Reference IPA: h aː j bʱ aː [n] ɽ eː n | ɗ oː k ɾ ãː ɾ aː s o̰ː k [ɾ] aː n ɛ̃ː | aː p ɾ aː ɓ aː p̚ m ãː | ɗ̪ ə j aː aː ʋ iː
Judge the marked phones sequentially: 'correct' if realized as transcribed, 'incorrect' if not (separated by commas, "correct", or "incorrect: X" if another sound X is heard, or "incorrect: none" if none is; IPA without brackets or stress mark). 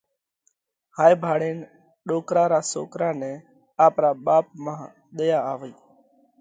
incorrect: none, correct